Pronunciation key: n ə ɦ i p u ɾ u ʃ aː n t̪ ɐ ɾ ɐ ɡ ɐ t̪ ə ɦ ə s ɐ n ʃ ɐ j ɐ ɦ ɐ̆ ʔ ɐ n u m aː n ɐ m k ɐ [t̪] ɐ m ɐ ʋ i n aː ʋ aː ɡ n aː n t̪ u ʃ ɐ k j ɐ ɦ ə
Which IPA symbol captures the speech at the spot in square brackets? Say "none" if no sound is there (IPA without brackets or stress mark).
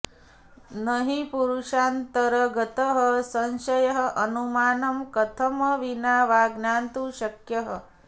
t̪ʰ